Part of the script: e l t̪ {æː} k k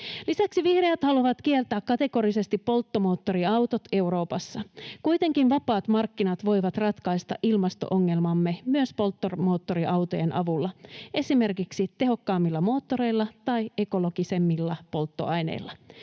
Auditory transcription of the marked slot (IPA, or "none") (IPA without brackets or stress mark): æː